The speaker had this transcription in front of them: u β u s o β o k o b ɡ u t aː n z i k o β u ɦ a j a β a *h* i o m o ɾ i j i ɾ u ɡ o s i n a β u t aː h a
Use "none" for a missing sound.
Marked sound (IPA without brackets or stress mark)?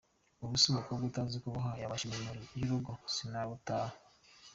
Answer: ʃ